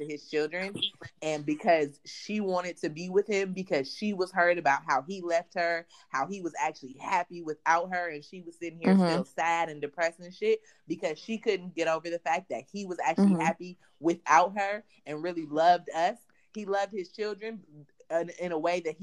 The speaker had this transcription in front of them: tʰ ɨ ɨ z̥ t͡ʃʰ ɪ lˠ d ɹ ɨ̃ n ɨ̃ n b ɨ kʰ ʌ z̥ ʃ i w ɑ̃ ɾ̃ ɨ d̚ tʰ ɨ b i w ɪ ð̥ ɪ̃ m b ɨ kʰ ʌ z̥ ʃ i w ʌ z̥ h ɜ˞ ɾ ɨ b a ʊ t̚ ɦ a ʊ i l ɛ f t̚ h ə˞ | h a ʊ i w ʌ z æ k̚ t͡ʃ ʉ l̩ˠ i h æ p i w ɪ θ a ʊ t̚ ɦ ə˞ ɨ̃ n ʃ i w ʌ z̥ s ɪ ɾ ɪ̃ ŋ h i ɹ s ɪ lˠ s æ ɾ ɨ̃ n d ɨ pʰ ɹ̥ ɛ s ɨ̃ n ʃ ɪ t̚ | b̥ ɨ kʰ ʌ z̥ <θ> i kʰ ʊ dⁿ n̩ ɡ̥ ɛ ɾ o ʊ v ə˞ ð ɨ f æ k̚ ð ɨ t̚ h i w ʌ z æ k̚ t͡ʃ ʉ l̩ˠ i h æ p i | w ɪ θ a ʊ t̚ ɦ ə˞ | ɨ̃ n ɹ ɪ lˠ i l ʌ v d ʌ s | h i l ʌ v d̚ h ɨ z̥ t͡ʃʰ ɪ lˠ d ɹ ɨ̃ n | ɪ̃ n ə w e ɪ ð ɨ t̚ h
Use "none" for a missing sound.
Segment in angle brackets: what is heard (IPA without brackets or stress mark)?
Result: ʃ